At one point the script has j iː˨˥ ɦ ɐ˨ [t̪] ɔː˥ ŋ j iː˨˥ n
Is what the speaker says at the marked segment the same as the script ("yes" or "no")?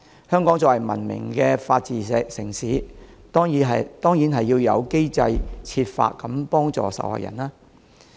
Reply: yes